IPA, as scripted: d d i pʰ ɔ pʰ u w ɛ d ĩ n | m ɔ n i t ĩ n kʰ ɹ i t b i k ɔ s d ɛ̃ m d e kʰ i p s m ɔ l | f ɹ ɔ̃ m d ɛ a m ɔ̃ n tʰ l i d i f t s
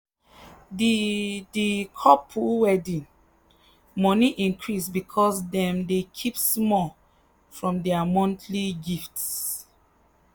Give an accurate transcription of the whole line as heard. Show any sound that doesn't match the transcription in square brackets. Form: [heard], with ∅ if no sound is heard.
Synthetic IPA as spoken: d d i [kʰ] ɔ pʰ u w ɛ d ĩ n | m ɔ n i [ʔ] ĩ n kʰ ɹ i [s] b i [kʰ] ɔ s d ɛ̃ m d e kʰ i p s m ɔ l | f ɹ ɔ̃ m d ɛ a m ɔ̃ n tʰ l i [ɡ] i f t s